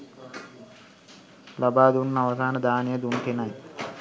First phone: l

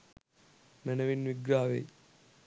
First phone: m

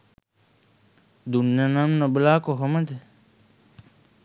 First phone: d̪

